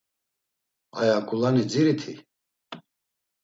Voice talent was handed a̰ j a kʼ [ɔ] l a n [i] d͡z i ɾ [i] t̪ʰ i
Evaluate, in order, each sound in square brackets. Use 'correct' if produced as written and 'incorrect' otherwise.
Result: incorrect: u, correct, correct

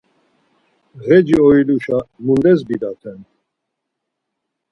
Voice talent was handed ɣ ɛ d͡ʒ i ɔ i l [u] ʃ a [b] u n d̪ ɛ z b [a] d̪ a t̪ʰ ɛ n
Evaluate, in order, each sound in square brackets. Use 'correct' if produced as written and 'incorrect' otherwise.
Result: correct, incorrect: m, incorrect: i

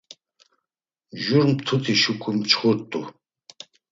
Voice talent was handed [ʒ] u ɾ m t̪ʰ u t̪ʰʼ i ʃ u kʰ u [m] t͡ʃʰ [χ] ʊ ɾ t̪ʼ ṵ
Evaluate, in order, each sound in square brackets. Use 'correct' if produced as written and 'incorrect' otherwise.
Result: correct, correct, correct

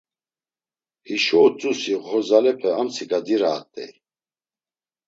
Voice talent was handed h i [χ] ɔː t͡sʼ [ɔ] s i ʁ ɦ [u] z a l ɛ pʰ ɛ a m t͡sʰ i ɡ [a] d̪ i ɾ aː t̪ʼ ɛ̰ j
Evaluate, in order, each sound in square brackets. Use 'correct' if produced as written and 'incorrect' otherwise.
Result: incorrect: ʃ, incorrect: u, incorrect: ɔ, correct

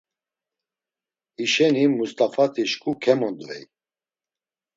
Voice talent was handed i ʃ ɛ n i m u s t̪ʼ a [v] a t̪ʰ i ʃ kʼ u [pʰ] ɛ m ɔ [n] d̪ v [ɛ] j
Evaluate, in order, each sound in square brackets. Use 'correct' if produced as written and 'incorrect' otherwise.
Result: incorrect: f, incorrect: kʰ, correct, correct

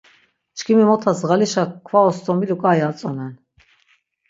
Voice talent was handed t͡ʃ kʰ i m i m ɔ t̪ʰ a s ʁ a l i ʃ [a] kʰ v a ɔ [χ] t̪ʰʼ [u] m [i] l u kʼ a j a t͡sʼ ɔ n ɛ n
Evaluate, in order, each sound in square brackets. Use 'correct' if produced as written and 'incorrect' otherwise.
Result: correct, incorrect: s, incorrect: ɔ, correct

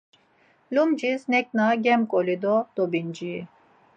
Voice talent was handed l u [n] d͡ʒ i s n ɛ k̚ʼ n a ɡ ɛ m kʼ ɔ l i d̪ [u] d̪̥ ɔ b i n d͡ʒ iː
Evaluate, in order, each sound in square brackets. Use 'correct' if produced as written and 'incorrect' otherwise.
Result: incorrect: m, incorrect: ɔ

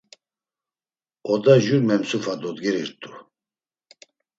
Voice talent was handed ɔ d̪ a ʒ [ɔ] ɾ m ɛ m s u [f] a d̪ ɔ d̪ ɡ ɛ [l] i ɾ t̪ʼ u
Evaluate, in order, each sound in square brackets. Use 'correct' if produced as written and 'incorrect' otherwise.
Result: incorrect: u, correct, incorrect: ɾ

